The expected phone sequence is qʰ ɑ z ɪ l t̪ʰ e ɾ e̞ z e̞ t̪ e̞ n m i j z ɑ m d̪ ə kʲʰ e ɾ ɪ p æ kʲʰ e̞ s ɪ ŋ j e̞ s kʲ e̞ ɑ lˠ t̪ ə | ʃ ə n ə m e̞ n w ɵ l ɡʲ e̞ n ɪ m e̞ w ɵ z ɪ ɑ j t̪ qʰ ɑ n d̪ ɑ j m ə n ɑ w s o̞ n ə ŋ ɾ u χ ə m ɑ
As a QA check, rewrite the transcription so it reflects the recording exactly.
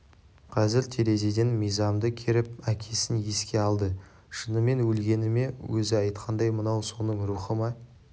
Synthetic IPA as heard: qʰ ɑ z ɪ ɾ t̪ʰ e ɾ e̞ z e̞ d̪ e̞ n m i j z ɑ m d̪ ə kʲʰ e ɾ ɪ p æ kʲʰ e̞ s ɪ n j e̞ s kʲ e̞ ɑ lˠ d̪ ə | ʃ ə n ə m e̞ n w ɵ l ɡʲ e̞ n ɪ m e̞ w ɵ z ɪ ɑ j t̪ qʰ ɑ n d̪ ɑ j m ə n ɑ w s o̞ n ə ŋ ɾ u χ ə m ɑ

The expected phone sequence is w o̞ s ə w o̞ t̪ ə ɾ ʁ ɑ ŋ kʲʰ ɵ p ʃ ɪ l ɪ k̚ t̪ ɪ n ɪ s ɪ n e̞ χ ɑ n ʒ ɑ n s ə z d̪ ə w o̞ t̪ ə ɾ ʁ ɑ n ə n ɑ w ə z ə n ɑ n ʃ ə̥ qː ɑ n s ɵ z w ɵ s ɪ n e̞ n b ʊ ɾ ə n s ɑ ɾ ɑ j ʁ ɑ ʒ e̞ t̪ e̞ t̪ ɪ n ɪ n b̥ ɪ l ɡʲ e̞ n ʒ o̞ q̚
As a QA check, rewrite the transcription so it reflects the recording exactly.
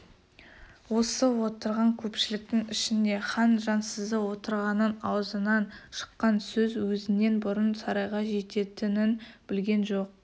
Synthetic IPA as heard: w o̞ s ə w o̞ t̪ ə ɾ ʁ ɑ ŋ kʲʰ ɵ p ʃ ɪ l ɪ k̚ t̪ ɪ ŋ ɪ ʃ ɪ n e̞ χ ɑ n ʒ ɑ n s ə z d̪ ə w o̞ t̪ ə ɾ ʁ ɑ n ə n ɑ w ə z ə n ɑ n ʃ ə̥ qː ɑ n s ɵ z w ɵ z ɪ n e̞ n b ʊ ɾ ə n s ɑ ɾ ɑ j ʁ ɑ ʒ e̞ t̪ e̞ t̪ ɪ n ɪ n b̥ ɪ l ɡʲ e̞ n ʒ o̞ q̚

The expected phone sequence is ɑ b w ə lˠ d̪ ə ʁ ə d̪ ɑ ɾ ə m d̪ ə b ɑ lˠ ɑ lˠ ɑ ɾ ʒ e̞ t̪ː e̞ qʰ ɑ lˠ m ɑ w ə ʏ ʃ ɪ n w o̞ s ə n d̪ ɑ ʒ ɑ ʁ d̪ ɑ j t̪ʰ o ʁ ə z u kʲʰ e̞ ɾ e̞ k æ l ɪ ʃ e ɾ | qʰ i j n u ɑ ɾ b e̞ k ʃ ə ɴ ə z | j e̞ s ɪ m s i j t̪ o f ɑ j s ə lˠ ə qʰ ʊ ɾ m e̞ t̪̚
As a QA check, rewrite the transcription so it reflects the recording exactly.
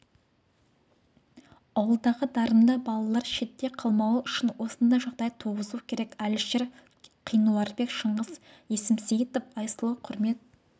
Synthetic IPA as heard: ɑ w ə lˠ d̪ ɑ ʁ ə d̪ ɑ ɾ ə m d̪ ɑ b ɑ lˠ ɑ lˠ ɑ ɾ ʃ e̞ t̪ː e̞ qʰ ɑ lˠ m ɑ w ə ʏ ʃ ɪ n w o̞ s ə n d̪ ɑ ʒ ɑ ʁ d̪ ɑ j t̪ʰ o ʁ ə z u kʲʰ e̞ ɾ e̞ k æ l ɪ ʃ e ɾ | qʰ i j n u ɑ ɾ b e̞ k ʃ ə ɴ ə z | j e̞ s ɪ m s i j t̪ o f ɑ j s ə lˠ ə qʰ ʊ ɾ m e̞ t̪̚

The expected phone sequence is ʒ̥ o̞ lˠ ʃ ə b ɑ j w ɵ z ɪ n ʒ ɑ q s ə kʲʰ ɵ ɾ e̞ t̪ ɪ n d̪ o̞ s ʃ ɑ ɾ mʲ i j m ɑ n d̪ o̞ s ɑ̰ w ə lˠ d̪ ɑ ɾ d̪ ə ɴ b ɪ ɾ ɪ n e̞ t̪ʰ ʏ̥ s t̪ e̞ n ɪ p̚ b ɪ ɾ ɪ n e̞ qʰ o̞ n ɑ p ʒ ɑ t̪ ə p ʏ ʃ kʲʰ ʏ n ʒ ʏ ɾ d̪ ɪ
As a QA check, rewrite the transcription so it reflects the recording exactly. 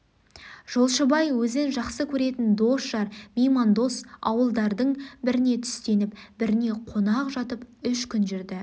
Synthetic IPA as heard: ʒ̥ o̞ lˠ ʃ ə b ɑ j w ɵ z ɪ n ʒ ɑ q s ə kʲʰ ɵ ɾ e̞ t̪ ɪ n d̪ o̞ s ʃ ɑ ɾ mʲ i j m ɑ n d̪ o̞ s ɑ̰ w ə lˠ d̪ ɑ ɾ d̪ ə ɴ b ɪ ɾ ɪ n e̞ t̪ʰ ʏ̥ s t̪ e̞ n ɪ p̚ b ɪ ɾ ɪ n e̞ qʰ o̞ n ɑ q ʒ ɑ t̪ ə p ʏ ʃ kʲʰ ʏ n ʒ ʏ ɾ d̪ ɪ

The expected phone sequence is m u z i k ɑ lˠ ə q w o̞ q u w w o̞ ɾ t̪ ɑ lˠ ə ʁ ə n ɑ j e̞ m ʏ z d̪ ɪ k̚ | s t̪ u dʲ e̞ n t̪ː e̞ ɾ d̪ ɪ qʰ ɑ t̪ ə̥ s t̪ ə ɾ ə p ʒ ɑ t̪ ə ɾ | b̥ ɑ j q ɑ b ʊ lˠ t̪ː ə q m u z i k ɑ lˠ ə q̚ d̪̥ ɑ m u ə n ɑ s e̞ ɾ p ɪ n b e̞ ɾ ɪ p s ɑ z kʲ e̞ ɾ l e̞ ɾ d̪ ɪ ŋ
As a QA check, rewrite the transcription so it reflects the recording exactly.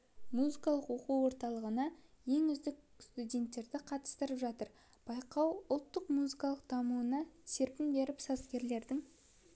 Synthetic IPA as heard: m u z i k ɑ lˠ ə q w o̞ q u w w o̞ ɾ t̪ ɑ lˠ ə ʁ ə n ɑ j e̞ ŋ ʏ z d̪ ɪ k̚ | s t̪ u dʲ e̞ n t̪ː e̞ ɾ d̪ ɪ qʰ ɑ t̪ ə̥ s t̪ ə ɾ ə p ʒ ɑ t̪ ə ɾ | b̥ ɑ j q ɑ w ʊ lˠ t̪ː ə q m u z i k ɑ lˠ ə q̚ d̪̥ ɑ m u ə n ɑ s e̞ ɾ p ɪ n b e̞ ɾ ɪ p s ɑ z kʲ e̞ ɾ l e̞ ɾ d̪ ɪ ŋ

